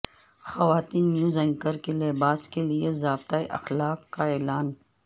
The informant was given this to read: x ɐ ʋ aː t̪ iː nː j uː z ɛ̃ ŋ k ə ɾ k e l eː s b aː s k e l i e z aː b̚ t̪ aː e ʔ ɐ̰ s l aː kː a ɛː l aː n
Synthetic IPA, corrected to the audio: x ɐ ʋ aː t̪ iː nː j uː z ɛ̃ ŋ k ə ɾ k e l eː b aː s k e l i e z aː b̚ t̪ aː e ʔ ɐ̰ x l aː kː a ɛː l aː n